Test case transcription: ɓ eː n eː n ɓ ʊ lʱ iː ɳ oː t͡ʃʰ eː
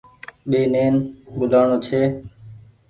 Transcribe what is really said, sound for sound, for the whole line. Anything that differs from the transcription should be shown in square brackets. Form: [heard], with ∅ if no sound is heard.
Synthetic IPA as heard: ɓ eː n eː n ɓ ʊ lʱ [aː] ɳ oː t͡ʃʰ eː